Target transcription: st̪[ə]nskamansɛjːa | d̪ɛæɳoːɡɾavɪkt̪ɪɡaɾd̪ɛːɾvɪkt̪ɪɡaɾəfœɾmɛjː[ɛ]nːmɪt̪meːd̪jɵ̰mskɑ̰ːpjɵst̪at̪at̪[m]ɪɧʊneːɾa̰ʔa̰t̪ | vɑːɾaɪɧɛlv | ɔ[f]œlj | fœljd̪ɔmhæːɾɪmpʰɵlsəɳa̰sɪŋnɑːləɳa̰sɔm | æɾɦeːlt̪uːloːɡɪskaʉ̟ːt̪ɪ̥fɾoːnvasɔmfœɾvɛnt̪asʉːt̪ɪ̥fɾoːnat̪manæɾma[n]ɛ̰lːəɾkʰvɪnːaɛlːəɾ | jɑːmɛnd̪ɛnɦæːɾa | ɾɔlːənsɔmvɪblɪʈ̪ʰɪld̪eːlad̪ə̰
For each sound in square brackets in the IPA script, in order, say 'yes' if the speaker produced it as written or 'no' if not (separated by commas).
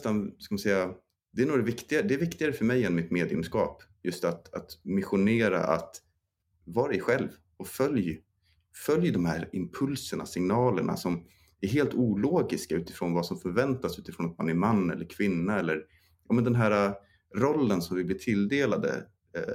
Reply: no, yes, yes, yes, no